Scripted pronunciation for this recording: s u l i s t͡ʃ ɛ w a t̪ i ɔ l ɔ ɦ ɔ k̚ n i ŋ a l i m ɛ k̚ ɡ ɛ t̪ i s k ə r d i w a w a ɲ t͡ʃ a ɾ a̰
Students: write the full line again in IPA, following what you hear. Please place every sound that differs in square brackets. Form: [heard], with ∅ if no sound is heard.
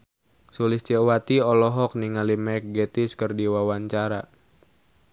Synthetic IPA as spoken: s u l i s t͡ʃ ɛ w a t̪ i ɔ l ɔ ɦ ɔ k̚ n i ŋ a l i m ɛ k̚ ɡ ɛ t̪ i s k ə r d i w a w a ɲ t͡ʃ a ɾ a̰